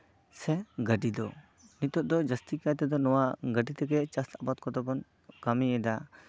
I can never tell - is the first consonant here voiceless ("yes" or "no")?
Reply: yes